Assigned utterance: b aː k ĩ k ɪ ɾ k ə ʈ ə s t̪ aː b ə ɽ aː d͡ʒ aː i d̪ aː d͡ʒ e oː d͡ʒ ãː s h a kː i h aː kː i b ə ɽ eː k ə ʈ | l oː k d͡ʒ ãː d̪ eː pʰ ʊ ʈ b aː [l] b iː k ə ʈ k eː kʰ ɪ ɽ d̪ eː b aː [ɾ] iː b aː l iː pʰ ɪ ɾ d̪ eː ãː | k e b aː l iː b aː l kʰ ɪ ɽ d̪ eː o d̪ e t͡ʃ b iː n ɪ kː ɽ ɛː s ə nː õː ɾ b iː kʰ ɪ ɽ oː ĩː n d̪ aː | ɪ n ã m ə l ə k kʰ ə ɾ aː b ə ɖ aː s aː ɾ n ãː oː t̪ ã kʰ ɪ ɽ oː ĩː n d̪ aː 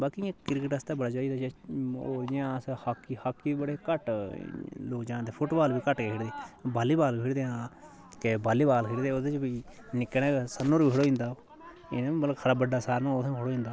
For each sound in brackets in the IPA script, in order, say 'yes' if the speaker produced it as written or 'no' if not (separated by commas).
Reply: yes, no